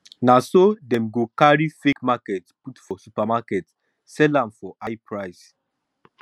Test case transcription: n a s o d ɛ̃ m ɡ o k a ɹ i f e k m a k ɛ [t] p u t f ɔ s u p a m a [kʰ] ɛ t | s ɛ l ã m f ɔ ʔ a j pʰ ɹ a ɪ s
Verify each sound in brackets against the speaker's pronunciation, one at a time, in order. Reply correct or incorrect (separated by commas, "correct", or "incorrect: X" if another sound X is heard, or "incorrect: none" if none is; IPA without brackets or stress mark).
correct, incorrect: k